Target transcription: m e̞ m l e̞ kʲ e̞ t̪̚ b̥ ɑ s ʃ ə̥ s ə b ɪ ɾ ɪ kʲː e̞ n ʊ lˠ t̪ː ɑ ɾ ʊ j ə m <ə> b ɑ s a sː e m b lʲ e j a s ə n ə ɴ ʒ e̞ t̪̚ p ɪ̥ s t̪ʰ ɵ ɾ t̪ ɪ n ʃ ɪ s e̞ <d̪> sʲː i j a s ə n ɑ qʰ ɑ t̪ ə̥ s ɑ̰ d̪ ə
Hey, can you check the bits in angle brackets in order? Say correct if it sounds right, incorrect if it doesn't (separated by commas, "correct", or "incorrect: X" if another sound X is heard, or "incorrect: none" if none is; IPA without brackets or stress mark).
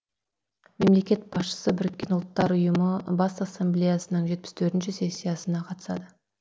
correct, incorrect: none